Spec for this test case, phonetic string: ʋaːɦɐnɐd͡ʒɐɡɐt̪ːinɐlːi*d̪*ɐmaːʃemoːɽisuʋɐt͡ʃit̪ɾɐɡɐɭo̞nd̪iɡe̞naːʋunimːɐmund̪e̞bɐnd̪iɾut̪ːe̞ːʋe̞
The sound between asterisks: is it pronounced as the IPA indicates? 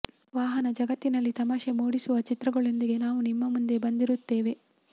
no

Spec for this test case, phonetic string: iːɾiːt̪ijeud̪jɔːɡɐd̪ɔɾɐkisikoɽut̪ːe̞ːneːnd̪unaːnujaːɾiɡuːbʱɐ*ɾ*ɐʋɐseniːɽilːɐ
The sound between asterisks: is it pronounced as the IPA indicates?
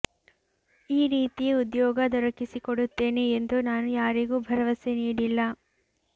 yes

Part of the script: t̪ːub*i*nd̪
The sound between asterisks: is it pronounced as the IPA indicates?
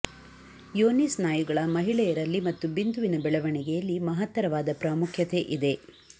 yes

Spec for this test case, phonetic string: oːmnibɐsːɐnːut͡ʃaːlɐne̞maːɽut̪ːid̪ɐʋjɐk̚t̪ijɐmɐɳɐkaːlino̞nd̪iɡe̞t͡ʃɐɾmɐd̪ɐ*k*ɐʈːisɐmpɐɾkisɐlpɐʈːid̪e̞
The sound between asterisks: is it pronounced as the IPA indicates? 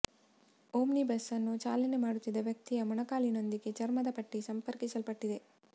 no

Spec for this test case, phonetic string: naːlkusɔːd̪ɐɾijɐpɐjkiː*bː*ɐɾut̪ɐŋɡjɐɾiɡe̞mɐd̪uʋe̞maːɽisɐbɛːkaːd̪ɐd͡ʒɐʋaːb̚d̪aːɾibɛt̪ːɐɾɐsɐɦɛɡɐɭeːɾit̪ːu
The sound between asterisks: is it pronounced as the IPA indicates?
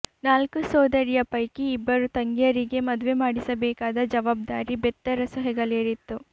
yes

